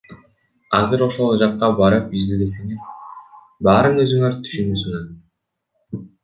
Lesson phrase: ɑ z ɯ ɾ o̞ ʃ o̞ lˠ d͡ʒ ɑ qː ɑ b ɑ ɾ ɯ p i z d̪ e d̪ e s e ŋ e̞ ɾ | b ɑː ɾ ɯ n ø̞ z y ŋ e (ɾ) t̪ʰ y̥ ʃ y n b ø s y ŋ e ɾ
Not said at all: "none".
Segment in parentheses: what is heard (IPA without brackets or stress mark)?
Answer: ɾ